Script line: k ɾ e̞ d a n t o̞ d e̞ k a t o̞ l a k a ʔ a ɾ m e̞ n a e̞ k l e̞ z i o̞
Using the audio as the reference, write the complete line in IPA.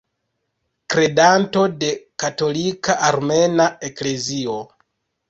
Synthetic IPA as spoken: k ɾ e̞ d a n t o̞ d e̞ k a t o̞ l i k a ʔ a ɾ m e̞ n a e̞ k l e̞ z i o̞